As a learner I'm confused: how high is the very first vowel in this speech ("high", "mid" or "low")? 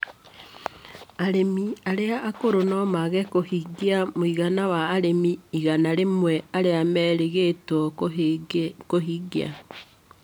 low